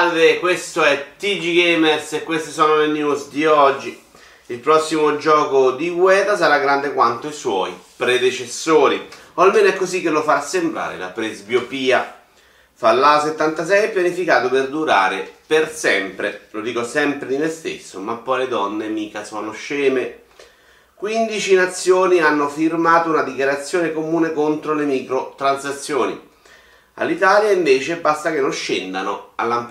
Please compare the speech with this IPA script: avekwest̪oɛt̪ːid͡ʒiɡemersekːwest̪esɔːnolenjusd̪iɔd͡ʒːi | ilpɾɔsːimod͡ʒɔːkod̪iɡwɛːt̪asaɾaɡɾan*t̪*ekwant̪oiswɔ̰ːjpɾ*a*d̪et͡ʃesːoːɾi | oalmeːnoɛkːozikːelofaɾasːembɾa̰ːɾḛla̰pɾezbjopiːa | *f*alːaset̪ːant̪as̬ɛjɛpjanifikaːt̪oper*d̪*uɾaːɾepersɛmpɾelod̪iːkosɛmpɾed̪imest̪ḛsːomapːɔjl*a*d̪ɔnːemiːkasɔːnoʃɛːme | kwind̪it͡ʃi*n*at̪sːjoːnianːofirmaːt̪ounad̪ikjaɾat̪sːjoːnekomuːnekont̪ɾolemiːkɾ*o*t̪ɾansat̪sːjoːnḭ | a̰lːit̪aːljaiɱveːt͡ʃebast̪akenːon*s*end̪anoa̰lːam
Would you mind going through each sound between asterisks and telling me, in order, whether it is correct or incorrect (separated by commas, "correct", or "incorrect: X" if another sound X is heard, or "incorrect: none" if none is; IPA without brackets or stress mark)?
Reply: incorrect: d̪, incorrect: e, correct, correct, incorrect: e, correct, correct, incorrect: ʃ